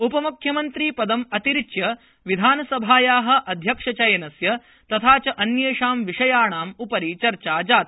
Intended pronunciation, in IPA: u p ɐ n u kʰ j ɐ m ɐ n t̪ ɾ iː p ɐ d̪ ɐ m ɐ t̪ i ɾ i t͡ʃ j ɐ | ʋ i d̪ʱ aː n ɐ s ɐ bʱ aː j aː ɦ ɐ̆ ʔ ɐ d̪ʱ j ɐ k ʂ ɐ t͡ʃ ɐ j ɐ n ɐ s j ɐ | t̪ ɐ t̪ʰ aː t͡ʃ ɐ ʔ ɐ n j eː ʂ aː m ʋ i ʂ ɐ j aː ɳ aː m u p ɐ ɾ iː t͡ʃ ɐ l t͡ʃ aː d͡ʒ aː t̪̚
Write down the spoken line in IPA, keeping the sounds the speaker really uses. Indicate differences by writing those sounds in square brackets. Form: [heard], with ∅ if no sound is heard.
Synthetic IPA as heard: u p ɐ [m] u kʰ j ɐ m ɐ n t̪ ɾ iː p ɐ d̪ ɐ m ɐ t̪ i ɾ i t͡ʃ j ɐ | ʋ i d̪ʱ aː n ɐ s ɐ bʱ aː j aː ɦ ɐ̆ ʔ ɐ d̪ʱ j ɐ k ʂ ɐ t͡ʃ ɐ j ɐ n ɐ s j ɐ | t̪ ɐ t̪ʰ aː t͡ʃ ɐ ʔ ɐ n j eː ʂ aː m ʋ i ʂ ɐ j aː ɳ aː m u p ɐ ɾ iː t͡ʃ ɐ [ɾ] t͡ʃ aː d͡ʒ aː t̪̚